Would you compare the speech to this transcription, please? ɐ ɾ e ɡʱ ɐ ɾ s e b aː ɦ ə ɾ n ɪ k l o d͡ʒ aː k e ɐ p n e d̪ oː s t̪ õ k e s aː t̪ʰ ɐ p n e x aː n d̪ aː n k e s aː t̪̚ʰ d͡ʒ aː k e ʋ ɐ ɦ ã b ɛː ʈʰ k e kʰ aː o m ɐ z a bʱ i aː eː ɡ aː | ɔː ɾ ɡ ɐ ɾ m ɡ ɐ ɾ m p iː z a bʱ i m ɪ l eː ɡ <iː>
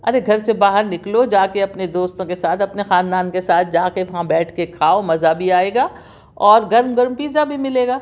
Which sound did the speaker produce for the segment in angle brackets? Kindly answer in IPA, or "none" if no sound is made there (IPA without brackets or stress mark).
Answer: aː